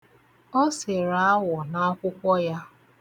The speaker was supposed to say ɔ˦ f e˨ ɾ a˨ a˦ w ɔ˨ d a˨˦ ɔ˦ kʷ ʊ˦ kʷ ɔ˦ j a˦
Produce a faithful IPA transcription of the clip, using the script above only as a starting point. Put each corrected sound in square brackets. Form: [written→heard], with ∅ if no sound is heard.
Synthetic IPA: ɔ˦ [f→s] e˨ ɾ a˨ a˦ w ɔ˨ [d→n] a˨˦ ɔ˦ kʷ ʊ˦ kʷ ɔ˦ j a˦